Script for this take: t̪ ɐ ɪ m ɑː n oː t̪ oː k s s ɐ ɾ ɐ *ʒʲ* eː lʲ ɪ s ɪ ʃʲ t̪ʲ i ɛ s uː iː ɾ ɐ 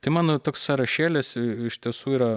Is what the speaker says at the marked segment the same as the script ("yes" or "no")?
no